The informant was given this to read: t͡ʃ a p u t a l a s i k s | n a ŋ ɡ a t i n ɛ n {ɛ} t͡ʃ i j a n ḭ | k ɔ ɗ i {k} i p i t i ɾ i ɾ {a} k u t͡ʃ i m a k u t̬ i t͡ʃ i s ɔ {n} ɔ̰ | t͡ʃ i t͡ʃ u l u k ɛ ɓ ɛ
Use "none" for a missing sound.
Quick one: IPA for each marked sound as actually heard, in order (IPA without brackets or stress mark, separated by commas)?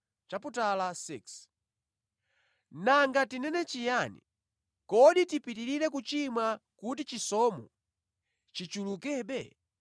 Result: ɛ, t, ɛ, m